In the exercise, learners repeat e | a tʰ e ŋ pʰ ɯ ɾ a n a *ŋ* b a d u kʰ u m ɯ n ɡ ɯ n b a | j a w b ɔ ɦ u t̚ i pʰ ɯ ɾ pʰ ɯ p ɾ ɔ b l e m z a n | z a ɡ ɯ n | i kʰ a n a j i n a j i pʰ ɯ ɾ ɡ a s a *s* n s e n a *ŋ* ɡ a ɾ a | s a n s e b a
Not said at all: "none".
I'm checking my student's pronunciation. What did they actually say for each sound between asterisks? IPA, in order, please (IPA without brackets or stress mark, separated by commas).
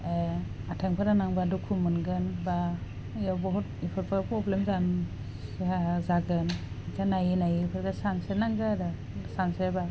ŋ, none, ŋ